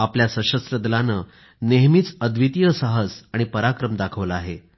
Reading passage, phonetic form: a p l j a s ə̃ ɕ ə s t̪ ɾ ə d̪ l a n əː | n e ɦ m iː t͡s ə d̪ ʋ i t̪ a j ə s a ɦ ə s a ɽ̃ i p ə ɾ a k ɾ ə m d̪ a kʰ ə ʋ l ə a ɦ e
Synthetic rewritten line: a p l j a s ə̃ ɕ ə s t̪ ɾ ə d̪ l a n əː | n e ɦ m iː t͡s ə d̪ ʋ i t̪ i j ə s a ɦ ə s a ɽ̃ i p ə ɾ a k ɾ ə m d̪ a kʰ ə ʋ l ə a ɦ e

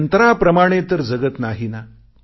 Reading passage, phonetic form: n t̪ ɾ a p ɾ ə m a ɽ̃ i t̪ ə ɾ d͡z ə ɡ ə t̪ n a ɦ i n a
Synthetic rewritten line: n t̪ ɾ a p ɾ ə m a ɽ̃ e t̪ ə ɾ d͡z ə ɡ ə t̪ n a ɦ i n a

